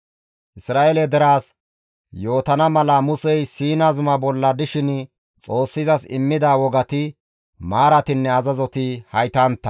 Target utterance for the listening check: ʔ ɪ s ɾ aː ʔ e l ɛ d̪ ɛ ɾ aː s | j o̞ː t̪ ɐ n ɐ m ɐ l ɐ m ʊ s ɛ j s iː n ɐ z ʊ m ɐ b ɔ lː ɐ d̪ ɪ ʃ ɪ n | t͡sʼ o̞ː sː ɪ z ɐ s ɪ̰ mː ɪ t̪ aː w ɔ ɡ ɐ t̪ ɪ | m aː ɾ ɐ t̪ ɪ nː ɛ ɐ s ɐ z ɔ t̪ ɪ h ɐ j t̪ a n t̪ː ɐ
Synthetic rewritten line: ʔ ɪ s ɾ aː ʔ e l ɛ d̪ ɛ ɾ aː s | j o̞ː t̪ ɐ n ɐ m ɐ l ɐ m ʊ s ɛ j s iː n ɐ z ʊ m ɐ b ɔ lː ɐ d̪ ɪ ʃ ɪ n | t͡sʼ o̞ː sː ɪ z ɐ s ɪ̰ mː ɪ d̪ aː w ɔ ɡ ɐ t̪ ɪ | m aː ɾ ɐ t̪ ɪ nː ɛ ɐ z ɐ z ɔ t̪ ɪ h ɐ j t̪ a n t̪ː ɐ